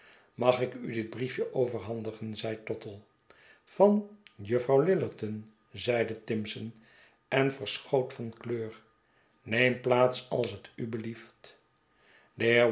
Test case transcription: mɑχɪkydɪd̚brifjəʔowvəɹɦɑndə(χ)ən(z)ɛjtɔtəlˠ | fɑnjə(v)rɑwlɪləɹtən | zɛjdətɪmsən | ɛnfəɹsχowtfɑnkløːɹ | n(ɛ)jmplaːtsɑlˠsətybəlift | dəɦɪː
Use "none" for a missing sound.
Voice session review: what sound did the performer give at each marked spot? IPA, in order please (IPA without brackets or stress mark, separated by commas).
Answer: χ, z, f, e